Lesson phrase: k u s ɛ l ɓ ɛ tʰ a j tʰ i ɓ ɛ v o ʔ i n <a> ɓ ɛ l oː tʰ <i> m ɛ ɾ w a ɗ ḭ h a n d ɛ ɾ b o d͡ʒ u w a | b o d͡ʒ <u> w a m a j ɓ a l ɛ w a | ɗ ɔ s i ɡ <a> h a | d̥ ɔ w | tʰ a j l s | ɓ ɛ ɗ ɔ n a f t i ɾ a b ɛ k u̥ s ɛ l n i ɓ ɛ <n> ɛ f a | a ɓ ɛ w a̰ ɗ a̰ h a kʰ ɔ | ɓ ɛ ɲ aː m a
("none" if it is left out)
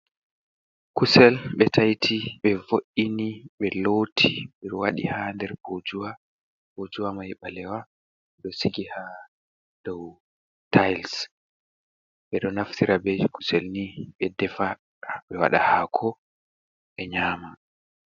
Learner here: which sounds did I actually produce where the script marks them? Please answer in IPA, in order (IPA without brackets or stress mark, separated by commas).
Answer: i, i, u, i, d